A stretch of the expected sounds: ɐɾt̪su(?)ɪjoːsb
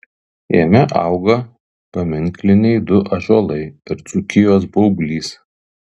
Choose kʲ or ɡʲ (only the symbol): kʲ